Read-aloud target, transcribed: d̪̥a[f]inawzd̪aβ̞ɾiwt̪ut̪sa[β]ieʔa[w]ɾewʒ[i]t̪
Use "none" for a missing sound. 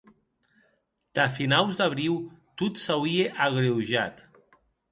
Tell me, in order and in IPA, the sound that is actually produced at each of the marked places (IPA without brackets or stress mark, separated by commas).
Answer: f, w, ɣ, a